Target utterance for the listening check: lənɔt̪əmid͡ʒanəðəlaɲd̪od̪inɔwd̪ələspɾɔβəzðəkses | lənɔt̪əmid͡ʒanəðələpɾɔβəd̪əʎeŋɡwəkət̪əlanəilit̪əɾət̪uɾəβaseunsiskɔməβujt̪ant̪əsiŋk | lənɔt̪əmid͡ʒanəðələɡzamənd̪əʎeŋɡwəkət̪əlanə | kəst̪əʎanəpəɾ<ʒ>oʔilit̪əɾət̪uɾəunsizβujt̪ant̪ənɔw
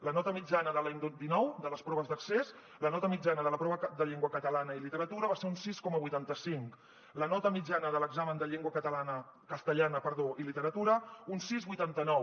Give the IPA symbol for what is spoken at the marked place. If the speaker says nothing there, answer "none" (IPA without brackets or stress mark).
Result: ð